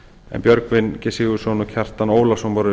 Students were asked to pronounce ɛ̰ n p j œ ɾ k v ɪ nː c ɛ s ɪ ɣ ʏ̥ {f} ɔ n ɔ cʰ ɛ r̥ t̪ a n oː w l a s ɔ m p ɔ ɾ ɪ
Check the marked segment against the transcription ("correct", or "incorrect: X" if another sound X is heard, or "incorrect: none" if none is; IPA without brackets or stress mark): incorrect: s